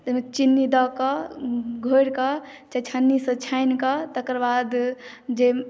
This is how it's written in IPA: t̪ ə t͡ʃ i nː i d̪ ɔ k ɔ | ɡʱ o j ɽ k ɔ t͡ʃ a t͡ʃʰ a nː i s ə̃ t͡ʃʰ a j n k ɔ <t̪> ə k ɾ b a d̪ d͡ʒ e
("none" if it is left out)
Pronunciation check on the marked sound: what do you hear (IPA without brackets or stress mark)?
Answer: t̪